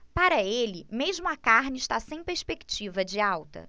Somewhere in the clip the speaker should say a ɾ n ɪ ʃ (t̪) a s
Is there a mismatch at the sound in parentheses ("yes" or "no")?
no